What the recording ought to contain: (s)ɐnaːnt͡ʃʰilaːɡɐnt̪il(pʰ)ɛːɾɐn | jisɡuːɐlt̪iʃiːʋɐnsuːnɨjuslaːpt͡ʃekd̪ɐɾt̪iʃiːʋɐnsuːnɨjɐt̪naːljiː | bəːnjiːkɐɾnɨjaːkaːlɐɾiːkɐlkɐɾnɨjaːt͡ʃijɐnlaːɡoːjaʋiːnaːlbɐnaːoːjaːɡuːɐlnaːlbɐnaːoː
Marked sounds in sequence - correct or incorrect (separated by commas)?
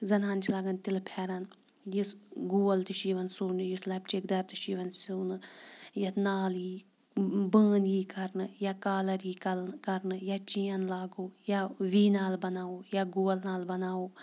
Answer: incorrect, correct